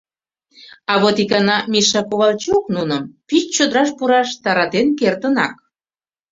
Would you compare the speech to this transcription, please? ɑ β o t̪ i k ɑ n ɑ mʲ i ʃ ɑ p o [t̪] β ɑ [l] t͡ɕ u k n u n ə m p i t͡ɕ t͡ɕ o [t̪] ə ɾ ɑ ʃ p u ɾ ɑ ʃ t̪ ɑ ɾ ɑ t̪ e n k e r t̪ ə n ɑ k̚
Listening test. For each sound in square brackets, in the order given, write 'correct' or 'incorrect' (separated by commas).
incorrect, correct, incorrect